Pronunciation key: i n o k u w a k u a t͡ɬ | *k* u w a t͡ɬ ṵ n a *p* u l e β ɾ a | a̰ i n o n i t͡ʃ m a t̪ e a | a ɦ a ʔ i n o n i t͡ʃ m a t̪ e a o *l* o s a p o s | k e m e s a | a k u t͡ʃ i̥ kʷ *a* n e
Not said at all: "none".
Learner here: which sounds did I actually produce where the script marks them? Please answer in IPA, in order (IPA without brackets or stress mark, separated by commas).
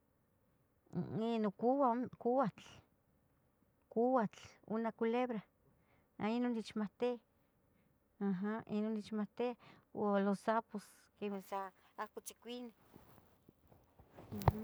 k, k, l, i